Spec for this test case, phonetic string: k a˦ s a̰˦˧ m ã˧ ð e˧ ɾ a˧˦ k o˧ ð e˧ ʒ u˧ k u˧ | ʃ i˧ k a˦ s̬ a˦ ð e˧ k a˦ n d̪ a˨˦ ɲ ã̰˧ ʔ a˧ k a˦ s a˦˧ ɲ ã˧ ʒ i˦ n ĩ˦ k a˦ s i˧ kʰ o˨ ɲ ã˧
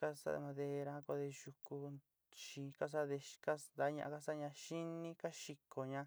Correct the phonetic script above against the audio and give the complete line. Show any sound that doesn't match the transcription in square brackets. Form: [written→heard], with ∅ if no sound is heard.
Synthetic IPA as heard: k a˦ s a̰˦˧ m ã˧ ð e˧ ɾ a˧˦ k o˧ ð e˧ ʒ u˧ k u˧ | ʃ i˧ k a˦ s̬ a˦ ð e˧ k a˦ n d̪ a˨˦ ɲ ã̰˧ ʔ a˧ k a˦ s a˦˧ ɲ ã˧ [ʒ→ʃ] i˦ n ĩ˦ k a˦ [s→ʃ] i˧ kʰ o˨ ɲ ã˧